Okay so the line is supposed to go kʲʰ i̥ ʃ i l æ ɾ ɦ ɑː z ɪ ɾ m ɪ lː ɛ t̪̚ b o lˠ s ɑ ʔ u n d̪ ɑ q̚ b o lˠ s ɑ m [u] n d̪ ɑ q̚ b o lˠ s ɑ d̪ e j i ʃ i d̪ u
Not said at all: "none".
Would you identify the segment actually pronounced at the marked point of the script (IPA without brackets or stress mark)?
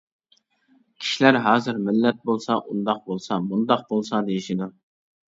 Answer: u